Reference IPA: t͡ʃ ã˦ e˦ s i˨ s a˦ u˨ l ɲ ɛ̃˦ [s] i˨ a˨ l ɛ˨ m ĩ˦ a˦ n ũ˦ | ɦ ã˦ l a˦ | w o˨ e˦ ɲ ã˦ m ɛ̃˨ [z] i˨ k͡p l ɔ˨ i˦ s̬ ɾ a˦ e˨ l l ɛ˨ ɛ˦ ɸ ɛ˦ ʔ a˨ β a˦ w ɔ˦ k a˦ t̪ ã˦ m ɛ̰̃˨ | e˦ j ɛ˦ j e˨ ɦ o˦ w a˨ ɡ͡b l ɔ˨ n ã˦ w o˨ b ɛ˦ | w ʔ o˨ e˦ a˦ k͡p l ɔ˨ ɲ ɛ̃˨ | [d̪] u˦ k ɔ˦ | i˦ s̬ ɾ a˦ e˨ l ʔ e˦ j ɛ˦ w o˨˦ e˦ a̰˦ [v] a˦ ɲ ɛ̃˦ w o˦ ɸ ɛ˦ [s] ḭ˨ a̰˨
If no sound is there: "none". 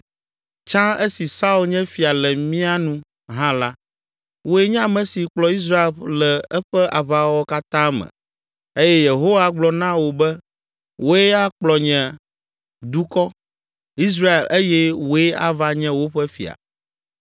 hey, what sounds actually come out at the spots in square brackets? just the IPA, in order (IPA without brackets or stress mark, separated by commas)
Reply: f, s, d̪, v, f